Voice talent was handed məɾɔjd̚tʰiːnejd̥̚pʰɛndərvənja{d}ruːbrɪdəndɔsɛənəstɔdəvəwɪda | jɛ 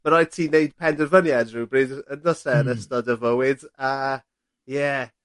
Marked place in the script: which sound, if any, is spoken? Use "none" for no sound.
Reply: d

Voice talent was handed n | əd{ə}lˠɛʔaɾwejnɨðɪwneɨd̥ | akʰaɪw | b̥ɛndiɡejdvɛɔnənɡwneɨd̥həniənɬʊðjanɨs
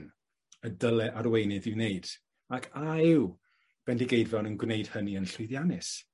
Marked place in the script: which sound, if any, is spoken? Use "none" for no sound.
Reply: ə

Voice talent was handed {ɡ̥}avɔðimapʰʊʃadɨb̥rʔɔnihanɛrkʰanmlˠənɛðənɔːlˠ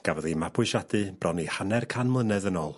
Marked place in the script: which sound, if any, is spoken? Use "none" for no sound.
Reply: ɡ̥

